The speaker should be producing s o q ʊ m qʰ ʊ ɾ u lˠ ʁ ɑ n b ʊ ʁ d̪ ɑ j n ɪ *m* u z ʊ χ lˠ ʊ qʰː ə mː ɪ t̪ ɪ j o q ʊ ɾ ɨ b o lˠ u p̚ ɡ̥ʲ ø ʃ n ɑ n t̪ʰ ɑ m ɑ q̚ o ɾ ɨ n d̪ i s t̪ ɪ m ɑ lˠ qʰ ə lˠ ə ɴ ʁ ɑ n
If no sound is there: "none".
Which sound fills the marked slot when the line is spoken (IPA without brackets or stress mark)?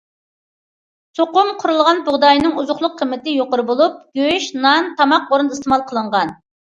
ŋ